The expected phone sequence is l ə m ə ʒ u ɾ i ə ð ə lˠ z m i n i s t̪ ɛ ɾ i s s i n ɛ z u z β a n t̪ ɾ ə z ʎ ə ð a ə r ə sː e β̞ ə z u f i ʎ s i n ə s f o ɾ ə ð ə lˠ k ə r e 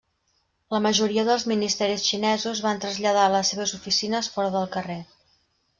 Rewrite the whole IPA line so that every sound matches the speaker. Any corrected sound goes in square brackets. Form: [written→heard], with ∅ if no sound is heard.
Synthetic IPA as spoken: l ə m ə ʒ u ɾ i ə ð ə lˠ z m i n i s t̪ ɛ ɾ i s [s→ʃ] i n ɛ z u z β a n t̪ ɾ ə z ʎ ə ð a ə [r→l] ə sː e β̞ ə z u f i [ʎ→∅] s i n ə s f [o→ɔ] ɾ ə ð ə lˠ k ə r e